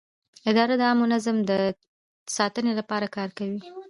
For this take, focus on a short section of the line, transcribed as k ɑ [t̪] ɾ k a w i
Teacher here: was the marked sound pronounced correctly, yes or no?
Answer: no